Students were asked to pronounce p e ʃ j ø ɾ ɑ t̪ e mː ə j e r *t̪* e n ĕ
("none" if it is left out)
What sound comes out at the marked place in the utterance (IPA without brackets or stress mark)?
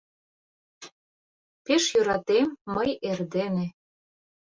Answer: d̪